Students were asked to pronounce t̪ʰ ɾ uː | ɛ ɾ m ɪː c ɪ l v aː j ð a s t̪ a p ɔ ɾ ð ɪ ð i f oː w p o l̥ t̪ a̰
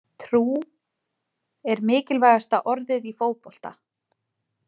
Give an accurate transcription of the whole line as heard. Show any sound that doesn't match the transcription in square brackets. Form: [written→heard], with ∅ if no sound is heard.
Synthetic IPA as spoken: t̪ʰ ɾ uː | ɛ ɾ m ɪː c ɪ l v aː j [ð→ɣ] a s t̪ a [p→ʔ] ɔ ɾ ð ɪ ð i f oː w p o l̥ t̪ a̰